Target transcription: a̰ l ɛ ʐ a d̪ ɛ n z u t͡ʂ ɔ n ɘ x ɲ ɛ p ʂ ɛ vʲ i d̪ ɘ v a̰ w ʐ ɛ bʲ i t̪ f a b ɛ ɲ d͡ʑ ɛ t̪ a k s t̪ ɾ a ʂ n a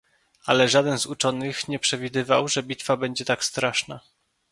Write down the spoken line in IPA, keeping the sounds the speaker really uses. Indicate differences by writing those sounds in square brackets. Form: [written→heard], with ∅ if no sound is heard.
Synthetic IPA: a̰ l ɛ ʐ a d̪ ɛ n z u t͡ʂ ɔ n ɘ x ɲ ɛ p ʂ ɛ vʲ i d̪ ɘ v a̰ w ʐ ɛ bʲ i t̪ f a b ɛ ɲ d͡ʑ ɛ t̪ a k s t̪ ɾ a ʂ n a